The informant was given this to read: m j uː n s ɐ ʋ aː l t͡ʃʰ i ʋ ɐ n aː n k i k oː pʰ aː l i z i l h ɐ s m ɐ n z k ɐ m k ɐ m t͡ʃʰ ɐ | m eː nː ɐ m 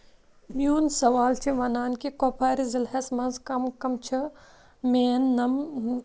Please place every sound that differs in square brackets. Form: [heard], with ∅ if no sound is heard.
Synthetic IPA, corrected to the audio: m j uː n s ɐ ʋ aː l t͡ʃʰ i ʋ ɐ n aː n k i k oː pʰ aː [ɾ] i z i l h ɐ s m ɐ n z k ɐ m k ɐ m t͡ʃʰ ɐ | m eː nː ɐ m